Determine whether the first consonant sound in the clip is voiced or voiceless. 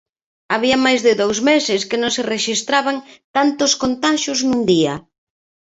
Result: voiced